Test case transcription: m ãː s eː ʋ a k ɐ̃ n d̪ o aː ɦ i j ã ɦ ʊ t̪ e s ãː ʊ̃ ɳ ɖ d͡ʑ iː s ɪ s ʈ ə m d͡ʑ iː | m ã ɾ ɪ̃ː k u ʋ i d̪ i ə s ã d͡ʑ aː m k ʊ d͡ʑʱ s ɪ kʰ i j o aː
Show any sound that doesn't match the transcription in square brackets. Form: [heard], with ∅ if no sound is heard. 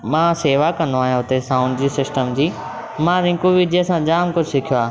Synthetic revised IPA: m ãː s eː ʋ a k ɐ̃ n d̪ o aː ɦ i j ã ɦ ʊ t̪ e s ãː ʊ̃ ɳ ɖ d͡ʑ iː s ɪ s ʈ ə m d͡ʑ iː | m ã ɾ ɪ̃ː k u ʋ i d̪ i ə s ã d͡ʑ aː m k ʊ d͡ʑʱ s ɪ kʰ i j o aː